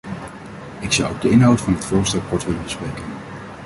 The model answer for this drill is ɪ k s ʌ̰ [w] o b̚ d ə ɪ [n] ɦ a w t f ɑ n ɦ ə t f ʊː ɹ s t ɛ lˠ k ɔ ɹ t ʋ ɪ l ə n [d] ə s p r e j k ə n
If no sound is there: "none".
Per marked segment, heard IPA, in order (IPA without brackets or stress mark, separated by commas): w, n, b